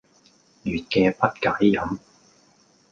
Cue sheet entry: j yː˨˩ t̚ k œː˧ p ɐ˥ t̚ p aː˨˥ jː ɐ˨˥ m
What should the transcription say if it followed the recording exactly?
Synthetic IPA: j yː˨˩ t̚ k ɛː˧ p ɐ˥ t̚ k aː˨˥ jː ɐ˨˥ m